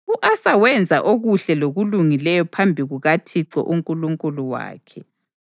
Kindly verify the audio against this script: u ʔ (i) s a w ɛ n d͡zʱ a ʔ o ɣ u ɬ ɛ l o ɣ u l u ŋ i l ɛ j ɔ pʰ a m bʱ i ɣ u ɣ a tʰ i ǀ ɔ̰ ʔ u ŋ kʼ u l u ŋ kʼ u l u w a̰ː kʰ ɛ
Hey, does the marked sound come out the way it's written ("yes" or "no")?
no